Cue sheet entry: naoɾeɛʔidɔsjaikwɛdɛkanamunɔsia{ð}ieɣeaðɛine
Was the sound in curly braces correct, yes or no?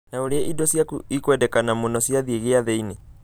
yes